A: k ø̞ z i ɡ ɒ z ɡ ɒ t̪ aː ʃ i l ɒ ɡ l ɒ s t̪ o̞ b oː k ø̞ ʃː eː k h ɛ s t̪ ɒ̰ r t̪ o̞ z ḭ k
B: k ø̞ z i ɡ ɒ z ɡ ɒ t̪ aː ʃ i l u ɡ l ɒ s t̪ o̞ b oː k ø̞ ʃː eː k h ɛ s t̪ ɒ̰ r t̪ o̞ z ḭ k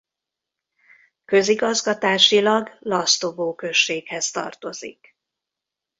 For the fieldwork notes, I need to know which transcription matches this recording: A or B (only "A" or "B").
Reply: A